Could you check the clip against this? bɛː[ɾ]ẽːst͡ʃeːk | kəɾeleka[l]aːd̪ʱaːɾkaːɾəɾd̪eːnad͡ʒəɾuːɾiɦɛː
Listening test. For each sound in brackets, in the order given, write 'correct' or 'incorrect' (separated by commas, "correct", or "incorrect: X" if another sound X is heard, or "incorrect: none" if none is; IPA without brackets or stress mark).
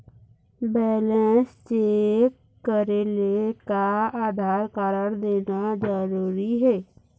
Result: incorrect: l, incorrect: none